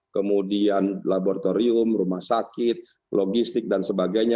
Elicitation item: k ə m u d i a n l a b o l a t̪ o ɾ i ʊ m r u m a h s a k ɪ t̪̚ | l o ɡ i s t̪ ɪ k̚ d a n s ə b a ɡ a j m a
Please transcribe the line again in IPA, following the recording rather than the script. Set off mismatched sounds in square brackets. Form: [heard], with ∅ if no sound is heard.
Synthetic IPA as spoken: k ə m u d i a n l a b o [ɾ] a t̪ o ɾ i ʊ m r u m a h s a k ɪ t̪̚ | l o ɡ i s t̪ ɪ k̚ d a n s ə b a ɡ a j [ɲ] a